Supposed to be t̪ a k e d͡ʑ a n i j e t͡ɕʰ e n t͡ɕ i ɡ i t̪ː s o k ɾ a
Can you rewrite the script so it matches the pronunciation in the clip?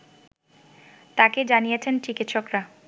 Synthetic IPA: t̪ a k e d͡ʑ a n i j e t͡ɕʰ e n t͡ɕ i k i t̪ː ʃ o k ɾ a